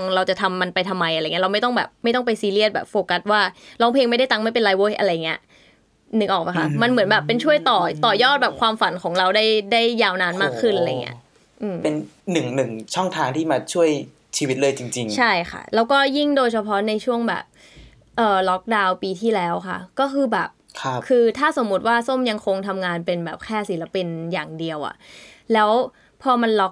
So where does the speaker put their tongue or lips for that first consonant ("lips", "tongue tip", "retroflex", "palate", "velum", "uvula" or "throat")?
velum